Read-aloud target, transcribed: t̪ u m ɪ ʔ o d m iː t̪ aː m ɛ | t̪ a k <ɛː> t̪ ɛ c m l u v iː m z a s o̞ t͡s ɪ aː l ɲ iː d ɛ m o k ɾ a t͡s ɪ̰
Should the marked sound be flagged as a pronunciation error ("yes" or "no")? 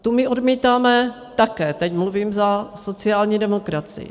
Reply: no